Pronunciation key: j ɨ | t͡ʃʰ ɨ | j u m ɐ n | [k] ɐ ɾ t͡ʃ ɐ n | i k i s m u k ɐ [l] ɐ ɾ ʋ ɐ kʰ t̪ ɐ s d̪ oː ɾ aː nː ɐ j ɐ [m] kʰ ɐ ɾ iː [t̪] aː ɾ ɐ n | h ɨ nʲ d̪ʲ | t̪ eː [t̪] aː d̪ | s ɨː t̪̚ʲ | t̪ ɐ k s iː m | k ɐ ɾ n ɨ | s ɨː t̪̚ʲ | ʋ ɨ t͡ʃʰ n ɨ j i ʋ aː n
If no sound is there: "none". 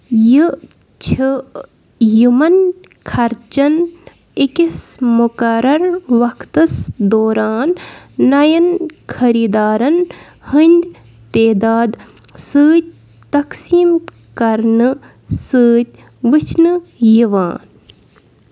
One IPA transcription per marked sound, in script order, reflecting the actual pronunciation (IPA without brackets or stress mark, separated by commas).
kʰ, ɾ, n, d̪, d̪